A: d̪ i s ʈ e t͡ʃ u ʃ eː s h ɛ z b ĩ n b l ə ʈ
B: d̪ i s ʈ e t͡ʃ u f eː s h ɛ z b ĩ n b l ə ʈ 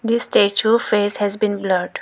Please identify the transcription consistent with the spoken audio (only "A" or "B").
B